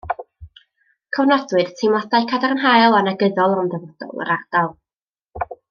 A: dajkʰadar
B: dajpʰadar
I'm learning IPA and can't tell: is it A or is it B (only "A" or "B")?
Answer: A